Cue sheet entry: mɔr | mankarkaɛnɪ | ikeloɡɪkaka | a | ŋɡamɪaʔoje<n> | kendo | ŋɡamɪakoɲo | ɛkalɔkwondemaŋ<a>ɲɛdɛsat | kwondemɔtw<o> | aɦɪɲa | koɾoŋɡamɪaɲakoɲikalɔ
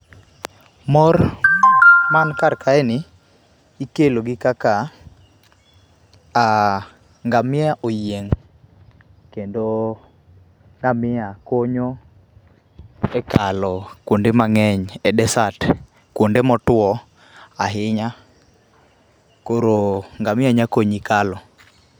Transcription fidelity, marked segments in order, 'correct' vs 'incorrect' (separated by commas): incorrect, incorrect, incorrect